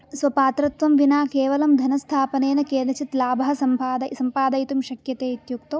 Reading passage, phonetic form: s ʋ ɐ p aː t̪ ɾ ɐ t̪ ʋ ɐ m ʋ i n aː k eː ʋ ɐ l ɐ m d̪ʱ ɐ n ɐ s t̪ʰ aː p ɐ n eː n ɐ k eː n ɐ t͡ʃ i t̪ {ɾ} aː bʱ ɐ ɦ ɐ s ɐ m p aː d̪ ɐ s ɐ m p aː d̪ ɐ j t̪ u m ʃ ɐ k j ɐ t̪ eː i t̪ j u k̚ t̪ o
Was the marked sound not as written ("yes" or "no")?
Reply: yes